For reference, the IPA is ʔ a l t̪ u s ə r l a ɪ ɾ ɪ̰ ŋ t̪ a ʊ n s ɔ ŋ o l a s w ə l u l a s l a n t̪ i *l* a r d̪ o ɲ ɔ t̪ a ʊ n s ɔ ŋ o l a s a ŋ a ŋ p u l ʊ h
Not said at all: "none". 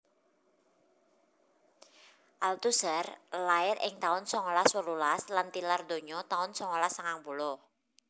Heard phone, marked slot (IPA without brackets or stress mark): l